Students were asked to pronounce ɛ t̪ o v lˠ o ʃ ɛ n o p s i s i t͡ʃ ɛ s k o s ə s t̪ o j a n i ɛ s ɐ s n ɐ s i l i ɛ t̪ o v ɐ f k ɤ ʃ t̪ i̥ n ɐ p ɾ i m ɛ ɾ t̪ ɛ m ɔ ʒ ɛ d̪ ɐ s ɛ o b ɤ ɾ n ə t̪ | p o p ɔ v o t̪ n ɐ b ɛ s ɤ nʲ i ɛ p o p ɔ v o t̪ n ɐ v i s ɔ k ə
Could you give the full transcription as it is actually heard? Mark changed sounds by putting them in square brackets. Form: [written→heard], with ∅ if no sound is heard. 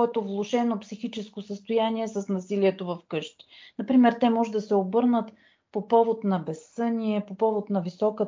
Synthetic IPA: ɛ t̪ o v lˠ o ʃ ɛ n o p s i [s→x] i t͡ʃ ɛ s k o s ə s t̪ o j a n i ɛ s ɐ s n ɐ s i l i ɛ t̪ o v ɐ f k ɤ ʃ t̪ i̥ n ɐ p ɾ i m ɛ ɾ t̪ ɛ m ɔ ʒ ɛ d̪ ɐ s ɛ o b ɤ ɾ n ə t̪ | p o p ɔ v o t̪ n ɐ b ɛ s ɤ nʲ i ɛ p o p ɔ v o t̪ n ɐ v i s ɔ k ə